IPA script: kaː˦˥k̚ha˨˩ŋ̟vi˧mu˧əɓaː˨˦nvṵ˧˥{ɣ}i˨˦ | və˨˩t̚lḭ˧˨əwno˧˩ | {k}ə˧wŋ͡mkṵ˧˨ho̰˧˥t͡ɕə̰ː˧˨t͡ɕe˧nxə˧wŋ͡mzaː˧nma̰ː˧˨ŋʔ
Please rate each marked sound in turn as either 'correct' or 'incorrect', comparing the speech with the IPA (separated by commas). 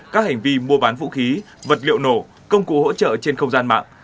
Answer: incorrect, correct